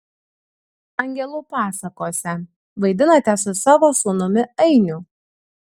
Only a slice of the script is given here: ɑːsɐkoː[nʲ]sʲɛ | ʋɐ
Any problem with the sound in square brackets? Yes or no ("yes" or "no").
yes